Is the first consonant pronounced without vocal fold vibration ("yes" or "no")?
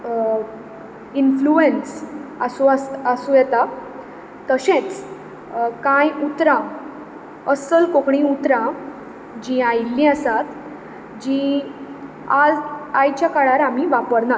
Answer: no